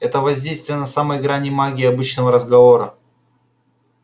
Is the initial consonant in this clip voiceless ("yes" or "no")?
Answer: yes